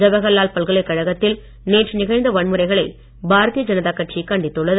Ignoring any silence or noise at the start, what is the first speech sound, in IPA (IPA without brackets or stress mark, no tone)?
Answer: d͡ʒ